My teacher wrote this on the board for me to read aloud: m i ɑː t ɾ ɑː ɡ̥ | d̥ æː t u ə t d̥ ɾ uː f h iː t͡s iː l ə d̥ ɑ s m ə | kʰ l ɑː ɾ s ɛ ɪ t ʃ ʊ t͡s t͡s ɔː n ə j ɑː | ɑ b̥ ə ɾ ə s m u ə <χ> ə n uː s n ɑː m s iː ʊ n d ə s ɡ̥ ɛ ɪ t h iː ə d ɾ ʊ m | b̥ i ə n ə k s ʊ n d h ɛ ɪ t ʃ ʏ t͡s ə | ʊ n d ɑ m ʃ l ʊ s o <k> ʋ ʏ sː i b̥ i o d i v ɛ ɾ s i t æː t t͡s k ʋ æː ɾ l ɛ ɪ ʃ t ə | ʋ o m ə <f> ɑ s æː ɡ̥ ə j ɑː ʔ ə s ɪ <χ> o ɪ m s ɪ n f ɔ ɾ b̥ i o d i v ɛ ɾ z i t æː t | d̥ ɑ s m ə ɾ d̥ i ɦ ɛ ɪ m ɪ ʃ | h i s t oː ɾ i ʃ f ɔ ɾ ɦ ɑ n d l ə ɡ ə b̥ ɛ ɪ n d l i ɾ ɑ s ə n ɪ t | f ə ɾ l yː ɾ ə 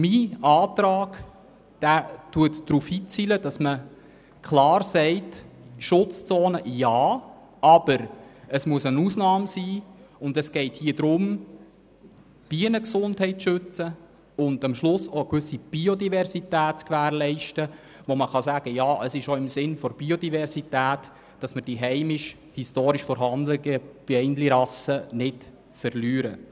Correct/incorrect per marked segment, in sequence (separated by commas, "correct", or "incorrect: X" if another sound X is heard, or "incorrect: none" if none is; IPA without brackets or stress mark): incorrect: s, correct, incorrect: χ, incorrect: ʃ